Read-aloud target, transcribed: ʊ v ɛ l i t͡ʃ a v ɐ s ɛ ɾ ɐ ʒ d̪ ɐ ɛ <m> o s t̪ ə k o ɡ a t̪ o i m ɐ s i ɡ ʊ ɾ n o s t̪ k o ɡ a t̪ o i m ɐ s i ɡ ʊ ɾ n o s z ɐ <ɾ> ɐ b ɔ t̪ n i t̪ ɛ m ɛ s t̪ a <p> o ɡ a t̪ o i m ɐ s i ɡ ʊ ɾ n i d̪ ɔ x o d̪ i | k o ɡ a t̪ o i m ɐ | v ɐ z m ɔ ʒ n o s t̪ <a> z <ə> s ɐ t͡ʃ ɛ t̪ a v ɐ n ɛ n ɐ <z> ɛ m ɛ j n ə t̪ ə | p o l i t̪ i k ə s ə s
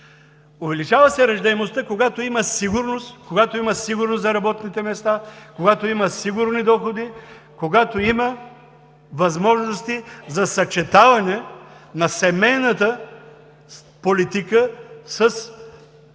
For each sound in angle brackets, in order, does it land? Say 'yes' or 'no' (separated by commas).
yes, yes, no, no, no, no